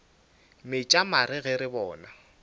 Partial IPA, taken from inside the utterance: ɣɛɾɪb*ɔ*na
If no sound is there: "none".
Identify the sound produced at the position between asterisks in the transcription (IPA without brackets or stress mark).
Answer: ɔː